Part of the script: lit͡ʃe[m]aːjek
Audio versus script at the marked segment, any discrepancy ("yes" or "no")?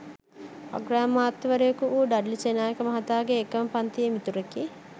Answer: yes